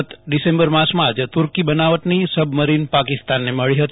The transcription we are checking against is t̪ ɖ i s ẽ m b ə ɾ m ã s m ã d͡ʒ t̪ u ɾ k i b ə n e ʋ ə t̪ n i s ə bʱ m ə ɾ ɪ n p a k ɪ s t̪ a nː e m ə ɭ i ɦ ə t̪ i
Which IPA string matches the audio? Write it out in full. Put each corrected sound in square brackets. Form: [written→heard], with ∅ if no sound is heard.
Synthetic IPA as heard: t̪ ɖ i s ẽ m b ə ɾ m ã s m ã d͡ʒ t̪ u ɾ k i b ə n [e→a] ʋ ə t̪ n i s ə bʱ m ə ɾ [ɪ→i] n p a k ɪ s t̪ a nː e m ə ɭ i ɦ ə t̪ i

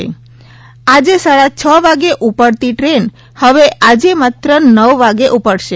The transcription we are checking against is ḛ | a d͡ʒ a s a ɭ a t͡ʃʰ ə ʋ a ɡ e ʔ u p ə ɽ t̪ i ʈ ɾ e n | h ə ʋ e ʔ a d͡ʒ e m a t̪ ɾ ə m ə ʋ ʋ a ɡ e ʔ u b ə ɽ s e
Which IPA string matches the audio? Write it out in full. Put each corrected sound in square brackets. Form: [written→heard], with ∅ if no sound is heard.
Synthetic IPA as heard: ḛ | a d͡ʒ [a→e] s a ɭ a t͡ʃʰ ə ʋ a ɡ e ʔ u p ə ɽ t̪ i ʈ ɾ e n | h ə ʋ e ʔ a d͡ʒ e m a t̪ ɾ ə [m→n] ə ʋ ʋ a ɡ e ʔ u [b→p] ə ɽ [s→ʃ] e

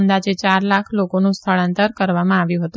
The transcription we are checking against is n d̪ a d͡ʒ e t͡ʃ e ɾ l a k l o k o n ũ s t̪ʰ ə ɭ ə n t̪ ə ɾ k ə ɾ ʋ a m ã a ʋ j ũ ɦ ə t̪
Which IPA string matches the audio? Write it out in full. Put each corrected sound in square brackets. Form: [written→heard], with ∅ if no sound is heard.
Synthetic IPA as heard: n d̪ a d͡ʒ e t͡ʃ [e→a] ɾ l a [k→kʰ] l o k o n ũ s t̪ʰ ə ɭ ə n t̪ ə ɾ k ə ɾ ʋ a m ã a ʋ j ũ ɦ ə t̪

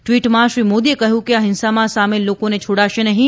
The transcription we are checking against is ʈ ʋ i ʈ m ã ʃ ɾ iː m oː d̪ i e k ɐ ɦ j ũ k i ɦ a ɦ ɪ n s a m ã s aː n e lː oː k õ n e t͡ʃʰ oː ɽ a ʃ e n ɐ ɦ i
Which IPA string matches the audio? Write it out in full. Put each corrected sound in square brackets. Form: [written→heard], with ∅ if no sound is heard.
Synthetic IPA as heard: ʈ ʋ [i→iː] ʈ m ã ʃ ɾ iː m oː d̪ i e k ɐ ɦ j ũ k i [ɦ→∅] a ɦ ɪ n s a m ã s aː [n→m] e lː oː k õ n e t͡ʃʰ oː ɽ a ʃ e n ɐ ɦ [i→ĩ]

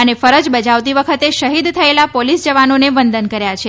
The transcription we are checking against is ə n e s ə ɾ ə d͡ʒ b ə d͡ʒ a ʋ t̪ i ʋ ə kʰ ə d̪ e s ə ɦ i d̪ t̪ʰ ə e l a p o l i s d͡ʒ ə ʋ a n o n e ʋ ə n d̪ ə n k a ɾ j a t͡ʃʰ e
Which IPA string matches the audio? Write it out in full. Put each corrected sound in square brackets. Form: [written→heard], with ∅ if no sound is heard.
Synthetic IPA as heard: ə n e [s→f] ə ɾ ə d͡ʒ b ə d͡ʒ a ʋ t̪ i ʋ ə kʰ ə [d̪→t̪] e [s→ʃ] ə ɦ i d̪ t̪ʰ ə e l a p o l i s d͡ʒ ə ʋ a n o n e ʋ ə n d̪ ə n k [a→ə] ɾ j a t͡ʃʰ e

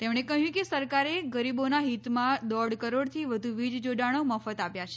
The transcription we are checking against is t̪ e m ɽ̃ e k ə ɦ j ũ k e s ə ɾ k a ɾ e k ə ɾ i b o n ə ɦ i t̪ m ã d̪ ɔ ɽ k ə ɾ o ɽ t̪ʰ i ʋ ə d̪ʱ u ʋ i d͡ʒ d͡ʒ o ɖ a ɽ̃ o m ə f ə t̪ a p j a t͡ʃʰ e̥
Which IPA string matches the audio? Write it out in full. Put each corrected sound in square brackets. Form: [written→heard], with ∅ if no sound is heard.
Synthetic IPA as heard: t̪ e m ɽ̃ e k ə ɦ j ũ k e s ə ɾ k a ɾ e [k→ɡ] ə ɾ i b o n [ə→a] ɦ i t̪ m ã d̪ ɔ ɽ k ə ɾ o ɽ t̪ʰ i ʋ ə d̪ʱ u ʋ i d͡ʒ d͡ʒ o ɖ a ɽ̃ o m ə f ə t̪ a p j a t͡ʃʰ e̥

